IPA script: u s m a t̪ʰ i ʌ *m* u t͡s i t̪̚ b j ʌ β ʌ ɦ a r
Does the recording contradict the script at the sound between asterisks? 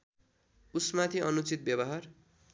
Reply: yes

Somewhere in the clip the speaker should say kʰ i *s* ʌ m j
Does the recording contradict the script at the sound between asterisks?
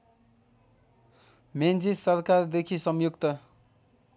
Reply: no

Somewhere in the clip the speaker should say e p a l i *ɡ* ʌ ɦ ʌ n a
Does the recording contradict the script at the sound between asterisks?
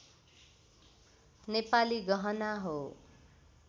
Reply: no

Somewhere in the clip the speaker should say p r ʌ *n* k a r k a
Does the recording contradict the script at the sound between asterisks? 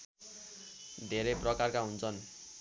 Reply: yes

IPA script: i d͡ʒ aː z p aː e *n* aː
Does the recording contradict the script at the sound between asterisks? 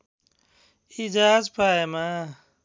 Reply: yes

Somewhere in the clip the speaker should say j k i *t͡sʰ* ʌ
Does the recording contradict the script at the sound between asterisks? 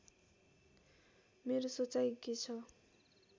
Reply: no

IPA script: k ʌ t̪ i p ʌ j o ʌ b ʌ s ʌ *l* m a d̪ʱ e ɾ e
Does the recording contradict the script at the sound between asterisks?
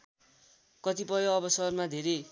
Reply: yes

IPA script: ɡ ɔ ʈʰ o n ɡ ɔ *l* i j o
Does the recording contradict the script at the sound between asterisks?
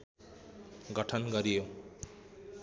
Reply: yes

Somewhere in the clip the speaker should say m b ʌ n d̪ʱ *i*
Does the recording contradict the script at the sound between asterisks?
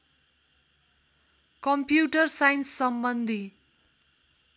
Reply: no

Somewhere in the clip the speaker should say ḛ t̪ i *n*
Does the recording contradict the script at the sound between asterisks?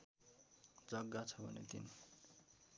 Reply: no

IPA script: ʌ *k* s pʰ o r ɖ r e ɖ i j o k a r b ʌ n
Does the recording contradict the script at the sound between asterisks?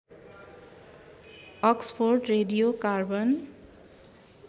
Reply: no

